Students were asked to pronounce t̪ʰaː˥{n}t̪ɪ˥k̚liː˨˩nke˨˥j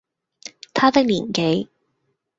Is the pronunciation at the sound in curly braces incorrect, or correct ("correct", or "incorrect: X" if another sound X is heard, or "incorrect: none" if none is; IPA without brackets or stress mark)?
incorrect: none